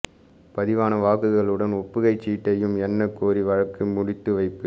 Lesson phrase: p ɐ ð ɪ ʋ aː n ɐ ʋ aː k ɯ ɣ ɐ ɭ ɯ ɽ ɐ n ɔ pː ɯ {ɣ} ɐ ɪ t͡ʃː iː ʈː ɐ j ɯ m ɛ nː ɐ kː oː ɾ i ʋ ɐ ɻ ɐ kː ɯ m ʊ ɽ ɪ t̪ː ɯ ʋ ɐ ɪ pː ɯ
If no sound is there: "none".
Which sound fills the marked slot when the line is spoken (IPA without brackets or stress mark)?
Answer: ɣ